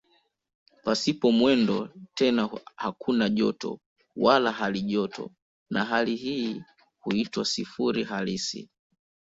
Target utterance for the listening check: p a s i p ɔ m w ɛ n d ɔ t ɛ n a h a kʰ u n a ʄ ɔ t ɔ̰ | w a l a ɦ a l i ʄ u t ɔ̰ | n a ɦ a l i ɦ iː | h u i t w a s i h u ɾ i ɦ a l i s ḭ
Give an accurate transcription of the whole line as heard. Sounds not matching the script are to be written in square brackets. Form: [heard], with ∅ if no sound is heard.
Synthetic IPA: p a s i p ɔ m w ɛ n d ɔ t ɛ n a h a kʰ u n a ʄ ɔ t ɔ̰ | w a l a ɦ a l i ʄ [ɔ] t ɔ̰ | n a ɦ a l i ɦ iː | h u i t w a s i [f] u ɾ i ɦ a l i s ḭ